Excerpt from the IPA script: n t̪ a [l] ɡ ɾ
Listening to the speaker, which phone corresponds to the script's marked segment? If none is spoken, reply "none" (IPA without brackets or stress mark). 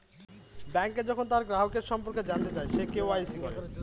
ɾ